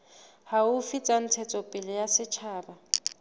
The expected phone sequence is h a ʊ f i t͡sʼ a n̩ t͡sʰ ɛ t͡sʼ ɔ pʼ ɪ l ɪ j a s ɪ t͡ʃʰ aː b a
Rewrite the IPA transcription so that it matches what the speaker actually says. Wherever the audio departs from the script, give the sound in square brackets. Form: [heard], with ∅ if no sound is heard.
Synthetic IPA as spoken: h a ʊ f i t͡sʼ a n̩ t͡sʰ ɛ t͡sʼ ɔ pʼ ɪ l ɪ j a s ɪ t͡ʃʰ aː b a